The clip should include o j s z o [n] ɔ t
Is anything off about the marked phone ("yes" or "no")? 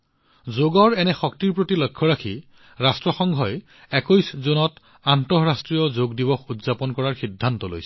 no